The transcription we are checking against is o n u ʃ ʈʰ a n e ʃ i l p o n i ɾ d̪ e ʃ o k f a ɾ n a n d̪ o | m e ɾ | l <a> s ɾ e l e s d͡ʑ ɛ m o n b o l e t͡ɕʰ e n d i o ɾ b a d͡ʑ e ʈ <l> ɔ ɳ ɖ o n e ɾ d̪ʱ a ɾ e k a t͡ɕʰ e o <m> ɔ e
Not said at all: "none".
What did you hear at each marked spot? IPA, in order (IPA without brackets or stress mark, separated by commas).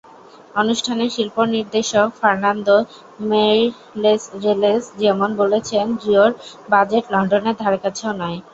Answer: e, l, n